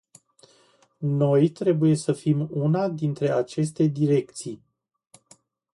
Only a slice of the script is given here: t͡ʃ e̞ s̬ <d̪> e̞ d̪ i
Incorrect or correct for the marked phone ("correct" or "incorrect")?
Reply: incorrect